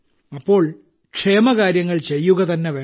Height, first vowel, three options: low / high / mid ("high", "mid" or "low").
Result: low